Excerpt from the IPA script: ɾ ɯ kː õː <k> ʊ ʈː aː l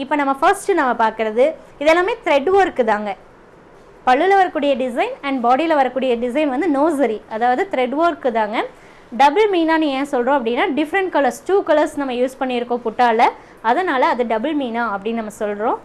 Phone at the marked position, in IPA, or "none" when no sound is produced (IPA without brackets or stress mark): p